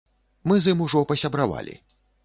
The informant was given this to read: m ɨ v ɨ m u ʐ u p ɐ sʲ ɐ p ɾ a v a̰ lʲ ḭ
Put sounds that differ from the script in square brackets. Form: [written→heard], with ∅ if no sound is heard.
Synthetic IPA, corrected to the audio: m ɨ [v→z] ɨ m u ʐ [u→ɔ] p ɐ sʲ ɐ [p→b] ɾ a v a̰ lʲ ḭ